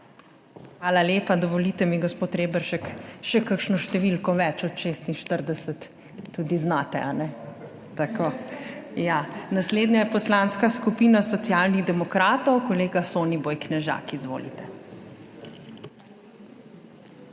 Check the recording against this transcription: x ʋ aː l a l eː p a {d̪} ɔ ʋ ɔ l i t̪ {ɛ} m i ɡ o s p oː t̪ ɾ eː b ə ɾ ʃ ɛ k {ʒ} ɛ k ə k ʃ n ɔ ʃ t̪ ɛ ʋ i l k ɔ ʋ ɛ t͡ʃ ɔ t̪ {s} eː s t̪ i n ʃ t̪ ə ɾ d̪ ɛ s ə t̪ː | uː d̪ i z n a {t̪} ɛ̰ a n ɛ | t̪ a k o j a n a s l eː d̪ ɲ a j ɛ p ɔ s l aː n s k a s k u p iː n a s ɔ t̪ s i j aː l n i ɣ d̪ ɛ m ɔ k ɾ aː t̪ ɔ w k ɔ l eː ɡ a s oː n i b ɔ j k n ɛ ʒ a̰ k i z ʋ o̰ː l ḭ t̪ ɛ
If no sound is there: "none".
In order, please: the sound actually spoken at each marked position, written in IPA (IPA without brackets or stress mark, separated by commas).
d̪, ɛ, ʃ, ʃ, t̪